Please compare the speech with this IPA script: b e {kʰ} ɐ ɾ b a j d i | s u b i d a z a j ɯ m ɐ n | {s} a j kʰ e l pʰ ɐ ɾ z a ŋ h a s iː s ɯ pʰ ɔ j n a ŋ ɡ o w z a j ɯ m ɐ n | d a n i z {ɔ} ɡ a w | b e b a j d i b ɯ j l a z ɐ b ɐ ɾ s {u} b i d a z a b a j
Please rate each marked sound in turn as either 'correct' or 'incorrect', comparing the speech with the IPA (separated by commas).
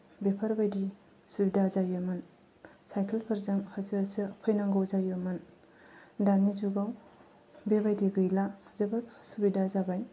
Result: incorrect, correct, incorrect, correct